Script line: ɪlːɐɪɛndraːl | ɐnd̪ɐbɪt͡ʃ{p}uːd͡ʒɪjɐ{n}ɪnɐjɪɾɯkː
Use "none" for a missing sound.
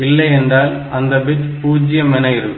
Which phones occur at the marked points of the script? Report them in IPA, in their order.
p, m

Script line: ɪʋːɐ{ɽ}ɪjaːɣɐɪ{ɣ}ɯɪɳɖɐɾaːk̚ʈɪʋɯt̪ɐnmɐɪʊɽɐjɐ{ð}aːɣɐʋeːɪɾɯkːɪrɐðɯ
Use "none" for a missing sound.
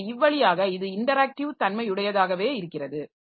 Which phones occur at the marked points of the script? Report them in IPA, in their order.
ɭ, ð, ð

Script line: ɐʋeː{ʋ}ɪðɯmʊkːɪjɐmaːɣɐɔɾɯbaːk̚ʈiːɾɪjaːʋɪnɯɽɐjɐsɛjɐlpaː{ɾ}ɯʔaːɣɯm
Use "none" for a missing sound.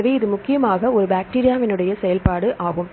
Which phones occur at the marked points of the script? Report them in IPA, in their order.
none, ɽ

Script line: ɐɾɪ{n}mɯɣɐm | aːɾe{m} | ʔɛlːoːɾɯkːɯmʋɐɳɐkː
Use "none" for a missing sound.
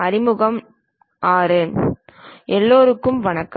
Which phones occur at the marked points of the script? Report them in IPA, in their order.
none, n

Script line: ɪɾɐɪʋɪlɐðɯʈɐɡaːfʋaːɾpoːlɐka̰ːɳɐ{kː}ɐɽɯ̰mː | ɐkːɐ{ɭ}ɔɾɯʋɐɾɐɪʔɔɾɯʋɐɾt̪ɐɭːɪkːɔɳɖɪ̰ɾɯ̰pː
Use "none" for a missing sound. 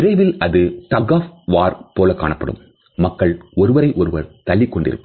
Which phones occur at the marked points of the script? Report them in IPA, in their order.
pː, ɭ

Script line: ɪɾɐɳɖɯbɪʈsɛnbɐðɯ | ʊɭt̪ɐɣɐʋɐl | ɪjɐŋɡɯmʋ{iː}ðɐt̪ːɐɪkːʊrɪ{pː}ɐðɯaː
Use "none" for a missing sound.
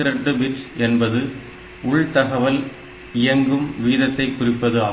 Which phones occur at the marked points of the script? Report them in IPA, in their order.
iː, pː

